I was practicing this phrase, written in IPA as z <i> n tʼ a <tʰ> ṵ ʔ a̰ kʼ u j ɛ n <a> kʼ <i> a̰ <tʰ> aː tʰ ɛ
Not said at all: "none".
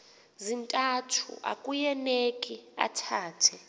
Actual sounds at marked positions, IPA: i, tʰ, e, i, tʰ

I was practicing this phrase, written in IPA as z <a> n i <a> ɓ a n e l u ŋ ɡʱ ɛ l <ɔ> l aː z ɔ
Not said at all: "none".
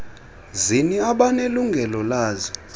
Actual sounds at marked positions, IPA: i, a, ɔ

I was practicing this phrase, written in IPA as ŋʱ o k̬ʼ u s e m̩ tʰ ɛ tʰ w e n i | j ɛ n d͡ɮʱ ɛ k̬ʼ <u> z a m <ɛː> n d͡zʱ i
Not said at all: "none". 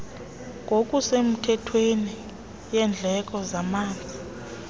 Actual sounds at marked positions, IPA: ɔ, aː

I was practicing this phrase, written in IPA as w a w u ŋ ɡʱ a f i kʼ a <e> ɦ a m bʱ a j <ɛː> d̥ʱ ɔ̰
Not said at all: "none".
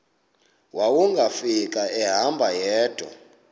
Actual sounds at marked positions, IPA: ɛ, ɛː

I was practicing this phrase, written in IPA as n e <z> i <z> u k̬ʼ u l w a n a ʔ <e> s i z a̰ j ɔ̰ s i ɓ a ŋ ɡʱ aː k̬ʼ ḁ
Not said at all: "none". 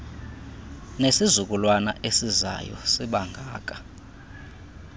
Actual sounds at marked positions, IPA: s, z, e

